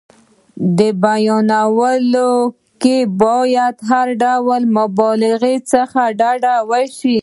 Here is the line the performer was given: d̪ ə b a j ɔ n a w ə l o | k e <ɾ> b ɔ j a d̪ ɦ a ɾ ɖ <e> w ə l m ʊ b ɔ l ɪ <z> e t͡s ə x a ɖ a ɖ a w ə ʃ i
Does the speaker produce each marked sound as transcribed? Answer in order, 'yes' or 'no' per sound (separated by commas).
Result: no, no, no